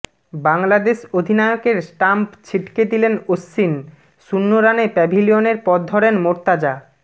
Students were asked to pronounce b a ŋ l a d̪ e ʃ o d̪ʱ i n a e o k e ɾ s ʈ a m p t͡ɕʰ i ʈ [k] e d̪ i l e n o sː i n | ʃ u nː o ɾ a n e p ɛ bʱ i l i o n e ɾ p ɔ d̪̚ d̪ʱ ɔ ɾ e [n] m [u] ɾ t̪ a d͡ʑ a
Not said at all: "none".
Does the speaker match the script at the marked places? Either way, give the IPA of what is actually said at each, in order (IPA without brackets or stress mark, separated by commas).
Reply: k, n, o